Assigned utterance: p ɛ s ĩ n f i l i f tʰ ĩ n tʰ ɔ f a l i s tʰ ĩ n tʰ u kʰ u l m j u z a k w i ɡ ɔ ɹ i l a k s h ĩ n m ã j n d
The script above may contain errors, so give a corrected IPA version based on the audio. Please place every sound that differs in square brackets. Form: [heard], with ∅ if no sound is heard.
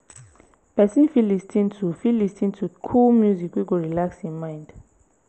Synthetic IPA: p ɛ s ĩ n f i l i [s] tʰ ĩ n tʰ [u] f [i] l i s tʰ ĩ n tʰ u kʰ u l m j u z [i] k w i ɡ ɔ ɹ i l a k s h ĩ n m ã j n d